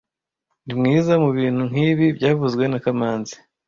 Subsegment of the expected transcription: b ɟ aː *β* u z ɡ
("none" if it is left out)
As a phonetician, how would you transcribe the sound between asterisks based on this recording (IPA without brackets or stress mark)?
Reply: v